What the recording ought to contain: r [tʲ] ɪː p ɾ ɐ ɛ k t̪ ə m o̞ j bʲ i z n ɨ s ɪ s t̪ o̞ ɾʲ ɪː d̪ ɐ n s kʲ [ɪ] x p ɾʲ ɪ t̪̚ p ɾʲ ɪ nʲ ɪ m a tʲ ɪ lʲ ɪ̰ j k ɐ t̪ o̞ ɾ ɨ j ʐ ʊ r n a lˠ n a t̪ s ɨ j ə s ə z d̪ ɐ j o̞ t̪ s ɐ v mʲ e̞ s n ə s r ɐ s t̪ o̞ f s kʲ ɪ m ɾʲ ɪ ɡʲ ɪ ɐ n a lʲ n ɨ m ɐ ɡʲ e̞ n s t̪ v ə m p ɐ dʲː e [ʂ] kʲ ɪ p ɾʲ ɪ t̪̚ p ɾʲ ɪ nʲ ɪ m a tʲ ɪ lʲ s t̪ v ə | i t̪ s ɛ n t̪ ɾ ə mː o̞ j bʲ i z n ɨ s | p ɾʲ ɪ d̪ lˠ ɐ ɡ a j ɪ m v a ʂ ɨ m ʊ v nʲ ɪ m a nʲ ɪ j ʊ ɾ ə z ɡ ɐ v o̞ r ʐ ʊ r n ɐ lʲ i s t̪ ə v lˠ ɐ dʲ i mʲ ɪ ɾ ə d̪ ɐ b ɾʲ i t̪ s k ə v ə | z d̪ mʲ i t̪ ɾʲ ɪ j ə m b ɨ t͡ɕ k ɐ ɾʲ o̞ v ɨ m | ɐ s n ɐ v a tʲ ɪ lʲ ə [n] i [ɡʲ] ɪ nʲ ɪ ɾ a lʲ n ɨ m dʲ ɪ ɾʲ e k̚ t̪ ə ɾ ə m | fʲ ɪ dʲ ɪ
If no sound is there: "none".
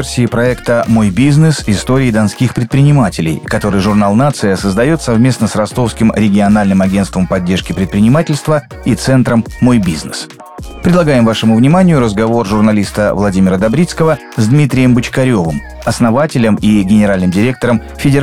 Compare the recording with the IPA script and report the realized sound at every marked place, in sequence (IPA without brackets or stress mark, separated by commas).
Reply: sʲ, i, ʂ, m, ɡʲ